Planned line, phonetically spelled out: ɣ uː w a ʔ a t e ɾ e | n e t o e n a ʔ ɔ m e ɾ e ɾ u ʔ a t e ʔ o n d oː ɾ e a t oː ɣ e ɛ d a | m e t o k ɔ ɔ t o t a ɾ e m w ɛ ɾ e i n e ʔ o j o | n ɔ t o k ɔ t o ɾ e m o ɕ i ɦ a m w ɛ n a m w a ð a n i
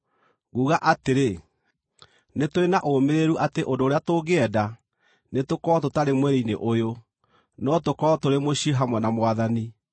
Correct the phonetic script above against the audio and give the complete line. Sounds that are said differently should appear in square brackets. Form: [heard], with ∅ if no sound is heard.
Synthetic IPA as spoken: ɣ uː [ɣ] a ʔ a t e ɾ e | n e t o e n a ʔ [o] m e ɾ e ɾ u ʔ a t e ʔ o n d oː ɾ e a t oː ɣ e ɛ d a | [n] e t o k ɔ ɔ t o t a ɾ e m w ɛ ɾ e i n e ʔ o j o | n ɔ t o k ɔ t o ɾ e m o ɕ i ɦ a m w ɛ n a m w a ð a n i